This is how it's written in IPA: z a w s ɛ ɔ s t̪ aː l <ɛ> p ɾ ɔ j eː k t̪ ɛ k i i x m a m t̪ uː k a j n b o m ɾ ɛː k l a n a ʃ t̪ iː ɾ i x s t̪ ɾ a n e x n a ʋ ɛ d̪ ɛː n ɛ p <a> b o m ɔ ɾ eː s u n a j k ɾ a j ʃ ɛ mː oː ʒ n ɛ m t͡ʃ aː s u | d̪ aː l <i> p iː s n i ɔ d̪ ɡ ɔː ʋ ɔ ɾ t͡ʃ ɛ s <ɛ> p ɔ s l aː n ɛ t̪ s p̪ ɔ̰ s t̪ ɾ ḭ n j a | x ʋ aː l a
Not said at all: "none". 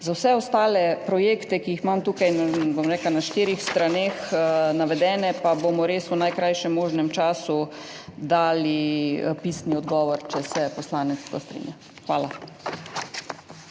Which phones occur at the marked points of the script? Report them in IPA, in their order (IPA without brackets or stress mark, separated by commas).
ɛ, a, i, ɛ